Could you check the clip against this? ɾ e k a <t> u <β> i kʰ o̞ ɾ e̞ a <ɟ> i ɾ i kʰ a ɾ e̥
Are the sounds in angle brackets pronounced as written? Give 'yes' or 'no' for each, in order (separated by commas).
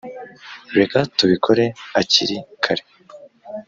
yes, yes, no